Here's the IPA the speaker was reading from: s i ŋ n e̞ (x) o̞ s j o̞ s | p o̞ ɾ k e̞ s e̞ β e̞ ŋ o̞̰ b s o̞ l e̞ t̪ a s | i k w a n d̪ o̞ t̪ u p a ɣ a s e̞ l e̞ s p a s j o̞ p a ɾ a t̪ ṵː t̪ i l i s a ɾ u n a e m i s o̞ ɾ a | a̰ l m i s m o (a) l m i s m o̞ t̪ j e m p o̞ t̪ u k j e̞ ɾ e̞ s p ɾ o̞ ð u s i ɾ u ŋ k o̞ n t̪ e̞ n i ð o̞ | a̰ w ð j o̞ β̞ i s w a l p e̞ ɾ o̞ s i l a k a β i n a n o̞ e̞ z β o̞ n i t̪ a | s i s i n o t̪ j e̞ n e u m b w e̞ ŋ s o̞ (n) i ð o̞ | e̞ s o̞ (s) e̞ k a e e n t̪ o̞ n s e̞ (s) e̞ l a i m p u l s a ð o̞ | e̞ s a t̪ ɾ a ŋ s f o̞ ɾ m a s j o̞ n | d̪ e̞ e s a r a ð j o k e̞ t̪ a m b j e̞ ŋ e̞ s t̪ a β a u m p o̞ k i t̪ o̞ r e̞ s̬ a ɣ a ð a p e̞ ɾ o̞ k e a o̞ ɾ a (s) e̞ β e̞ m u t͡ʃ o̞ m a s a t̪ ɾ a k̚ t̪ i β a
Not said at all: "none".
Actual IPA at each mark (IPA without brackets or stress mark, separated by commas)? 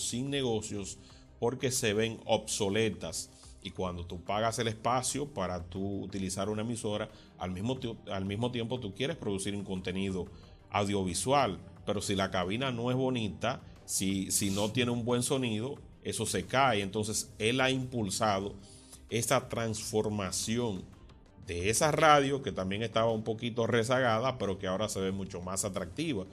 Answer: ɣ, a, n, s, s, s